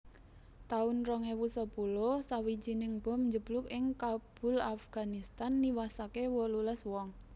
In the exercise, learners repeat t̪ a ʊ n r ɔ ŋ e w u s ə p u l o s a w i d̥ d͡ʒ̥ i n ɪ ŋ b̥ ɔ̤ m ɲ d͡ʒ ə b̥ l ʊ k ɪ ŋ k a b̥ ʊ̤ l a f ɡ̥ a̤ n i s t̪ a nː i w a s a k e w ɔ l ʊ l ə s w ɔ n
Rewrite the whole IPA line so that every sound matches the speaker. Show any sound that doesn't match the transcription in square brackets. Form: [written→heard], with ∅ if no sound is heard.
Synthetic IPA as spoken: t̪ a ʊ n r ɔ ŋ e w u s ə p u l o s a w i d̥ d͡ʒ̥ i n ɪ ŋ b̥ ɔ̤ m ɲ d͡ʒ ə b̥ l ʊ k ɪ ŋ k a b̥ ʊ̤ l a f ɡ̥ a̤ n i s t̪ a nː i w a s a k e w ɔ l [ʊ→u] l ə s w ɔ [n→ŋ]